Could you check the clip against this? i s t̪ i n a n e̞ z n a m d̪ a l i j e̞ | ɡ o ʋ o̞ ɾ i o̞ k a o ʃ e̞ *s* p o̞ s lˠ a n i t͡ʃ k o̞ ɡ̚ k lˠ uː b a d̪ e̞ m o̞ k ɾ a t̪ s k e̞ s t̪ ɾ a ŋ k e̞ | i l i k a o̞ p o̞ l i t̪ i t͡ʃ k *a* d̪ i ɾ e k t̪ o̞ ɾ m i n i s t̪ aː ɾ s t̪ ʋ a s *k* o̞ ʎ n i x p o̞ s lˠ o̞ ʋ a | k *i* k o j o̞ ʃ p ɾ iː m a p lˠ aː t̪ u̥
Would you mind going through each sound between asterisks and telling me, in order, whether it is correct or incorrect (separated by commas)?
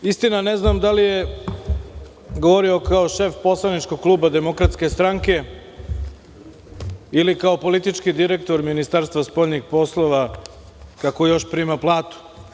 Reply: incorrect, incorrect, incorrect, incorrect